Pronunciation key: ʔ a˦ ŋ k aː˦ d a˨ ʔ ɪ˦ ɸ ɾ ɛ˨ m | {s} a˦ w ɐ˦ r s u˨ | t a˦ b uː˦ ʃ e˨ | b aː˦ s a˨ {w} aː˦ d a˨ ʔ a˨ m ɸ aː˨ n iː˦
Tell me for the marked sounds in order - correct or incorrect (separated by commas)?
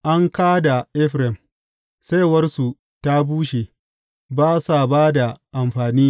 correct, incorrect